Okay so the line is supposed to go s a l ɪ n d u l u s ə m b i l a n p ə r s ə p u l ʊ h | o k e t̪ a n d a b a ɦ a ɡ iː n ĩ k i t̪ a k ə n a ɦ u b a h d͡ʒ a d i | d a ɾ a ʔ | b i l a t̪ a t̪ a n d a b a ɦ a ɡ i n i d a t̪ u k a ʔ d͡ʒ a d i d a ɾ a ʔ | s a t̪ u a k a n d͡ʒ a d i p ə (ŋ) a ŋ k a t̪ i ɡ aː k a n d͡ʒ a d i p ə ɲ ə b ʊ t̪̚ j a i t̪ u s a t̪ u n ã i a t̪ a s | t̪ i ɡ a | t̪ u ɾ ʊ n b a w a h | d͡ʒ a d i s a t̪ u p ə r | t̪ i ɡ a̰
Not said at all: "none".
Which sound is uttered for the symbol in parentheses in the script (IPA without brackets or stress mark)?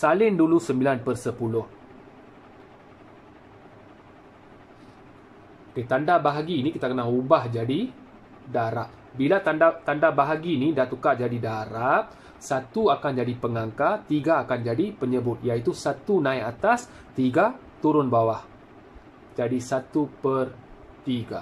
ŋ